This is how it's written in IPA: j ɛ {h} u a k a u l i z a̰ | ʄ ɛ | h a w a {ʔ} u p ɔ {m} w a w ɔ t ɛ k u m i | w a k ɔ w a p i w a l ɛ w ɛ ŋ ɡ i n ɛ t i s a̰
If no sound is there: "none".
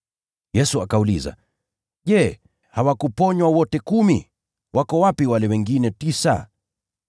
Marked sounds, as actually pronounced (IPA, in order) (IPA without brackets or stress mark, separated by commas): s, k, ɲ